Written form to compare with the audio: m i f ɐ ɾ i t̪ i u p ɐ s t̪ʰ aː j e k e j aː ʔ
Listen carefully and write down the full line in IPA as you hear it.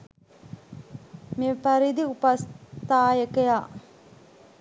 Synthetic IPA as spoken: m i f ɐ ɾ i d̪ i u p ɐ s t̪ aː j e k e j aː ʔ